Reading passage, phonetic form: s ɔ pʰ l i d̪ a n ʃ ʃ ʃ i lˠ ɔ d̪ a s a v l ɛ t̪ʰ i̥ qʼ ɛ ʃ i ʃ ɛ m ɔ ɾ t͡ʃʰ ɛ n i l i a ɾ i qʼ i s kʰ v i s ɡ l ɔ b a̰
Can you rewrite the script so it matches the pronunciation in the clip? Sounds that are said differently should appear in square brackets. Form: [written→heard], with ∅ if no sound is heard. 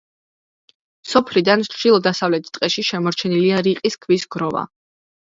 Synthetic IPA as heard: s ɔ pʰ l i d̪ a n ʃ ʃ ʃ i lˠ ɔ d̪ a s a v l ɛ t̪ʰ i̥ qʼ ɛ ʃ i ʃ ɛ m ɔ ɾ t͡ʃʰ ɛ n i l i a ɾ i qʼ i s kʰ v i s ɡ [l→ɾ] ɔ [b→v] a̰